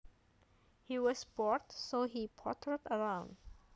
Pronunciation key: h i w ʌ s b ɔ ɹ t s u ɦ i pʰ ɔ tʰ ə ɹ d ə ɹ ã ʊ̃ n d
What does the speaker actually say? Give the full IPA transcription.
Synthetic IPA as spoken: h i w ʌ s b ɔ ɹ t s o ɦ i pʰ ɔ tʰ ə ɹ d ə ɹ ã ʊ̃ n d